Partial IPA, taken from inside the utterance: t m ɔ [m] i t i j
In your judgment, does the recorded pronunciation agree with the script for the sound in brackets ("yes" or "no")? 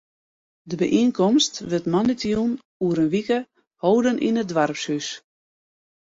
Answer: no